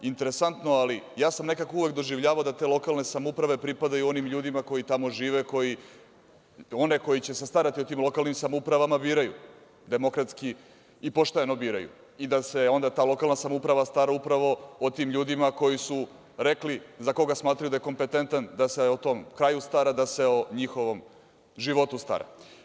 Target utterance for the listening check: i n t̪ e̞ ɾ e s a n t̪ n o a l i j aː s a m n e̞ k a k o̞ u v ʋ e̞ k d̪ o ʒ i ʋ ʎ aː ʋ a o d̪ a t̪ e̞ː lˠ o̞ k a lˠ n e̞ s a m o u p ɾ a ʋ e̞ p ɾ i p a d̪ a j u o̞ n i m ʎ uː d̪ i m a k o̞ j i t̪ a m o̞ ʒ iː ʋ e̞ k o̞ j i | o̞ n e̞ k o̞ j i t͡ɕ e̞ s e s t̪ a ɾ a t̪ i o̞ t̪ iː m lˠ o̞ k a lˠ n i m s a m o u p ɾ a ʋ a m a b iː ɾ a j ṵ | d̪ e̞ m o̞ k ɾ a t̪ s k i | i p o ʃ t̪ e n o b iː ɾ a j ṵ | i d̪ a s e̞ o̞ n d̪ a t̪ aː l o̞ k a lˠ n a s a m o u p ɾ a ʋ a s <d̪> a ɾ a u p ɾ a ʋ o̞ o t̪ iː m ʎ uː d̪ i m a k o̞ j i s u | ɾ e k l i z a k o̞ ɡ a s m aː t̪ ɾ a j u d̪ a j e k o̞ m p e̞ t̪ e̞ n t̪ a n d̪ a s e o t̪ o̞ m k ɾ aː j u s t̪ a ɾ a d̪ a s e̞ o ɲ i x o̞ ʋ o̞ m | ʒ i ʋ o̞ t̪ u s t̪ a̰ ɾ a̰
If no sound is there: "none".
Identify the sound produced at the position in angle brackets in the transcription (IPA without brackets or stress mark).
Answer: t̪